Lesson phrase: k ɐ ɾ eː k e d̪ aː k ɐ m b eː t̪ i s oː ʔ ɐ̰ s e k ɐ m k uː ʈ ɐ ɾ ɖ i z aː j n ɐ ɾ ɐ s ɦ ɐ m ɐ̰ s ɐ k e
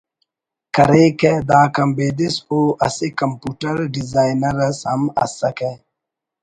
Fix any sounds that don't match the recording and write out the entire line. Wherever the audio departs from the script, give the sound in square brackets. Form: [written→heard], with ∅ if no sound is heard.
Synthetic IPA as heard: k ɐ ɾ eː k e d̪ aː k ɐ m b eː [t̪→d̪] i s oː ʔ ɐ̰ s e k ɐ m [k→p] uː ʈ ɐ ɾ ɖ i z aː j n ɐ ɾ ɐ s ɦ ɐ m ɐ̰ s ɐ k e